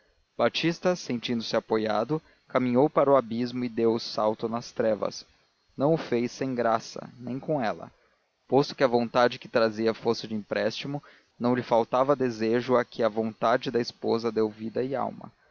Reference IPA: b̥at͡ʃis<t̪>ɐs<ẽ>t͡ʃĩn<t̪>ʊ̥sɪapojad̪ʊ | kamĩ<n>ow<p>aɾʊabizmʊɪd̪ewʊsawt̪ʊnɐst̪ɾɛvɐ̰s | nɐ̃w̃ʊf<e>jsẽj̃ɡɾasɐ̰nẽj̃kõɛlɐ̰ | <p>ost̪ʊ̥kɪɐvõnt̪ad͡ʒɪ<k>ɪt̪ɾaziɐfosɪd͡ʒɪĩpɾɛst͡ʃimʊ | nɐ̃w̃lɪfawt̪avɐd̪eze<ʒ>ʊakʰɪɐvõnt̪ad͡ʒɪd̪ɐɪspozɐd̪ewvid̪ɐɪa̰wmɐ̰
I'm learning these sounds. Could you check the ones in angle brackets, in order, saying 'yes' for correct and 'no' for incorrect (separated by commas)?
yes, yes, no, no, yes, yes, yes, yes, yes